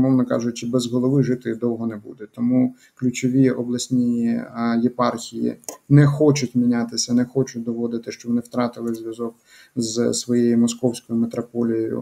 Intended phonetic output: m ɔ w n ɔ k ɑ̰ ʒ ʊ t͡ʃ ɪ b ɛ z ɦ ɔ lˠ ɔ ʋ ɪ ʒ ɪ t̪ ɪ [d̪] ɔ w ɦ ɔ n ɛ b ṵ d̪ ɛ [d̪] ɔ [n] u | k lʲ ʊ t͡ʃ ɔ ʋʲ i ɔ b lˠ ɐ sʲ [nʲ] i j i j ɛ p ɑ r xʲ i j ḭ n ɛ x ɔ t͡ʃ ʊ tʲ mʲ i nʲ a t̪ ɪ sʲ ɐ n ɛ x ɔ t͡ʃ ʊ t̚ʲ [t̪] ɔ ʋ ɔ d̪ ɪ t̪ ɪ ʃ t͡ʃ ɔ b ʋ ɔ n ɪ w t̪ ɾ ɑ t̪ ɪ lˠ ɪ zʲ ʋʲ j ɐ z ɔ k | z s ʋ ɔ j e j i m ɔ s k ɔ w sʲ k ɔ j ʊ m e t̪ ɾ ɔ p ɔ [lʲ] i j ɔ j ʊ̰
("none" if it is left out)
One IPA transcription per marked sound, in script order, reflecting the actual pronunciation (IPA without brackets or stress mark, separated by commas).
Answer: d̪, t̪, m, nʲ, d̪, lʲ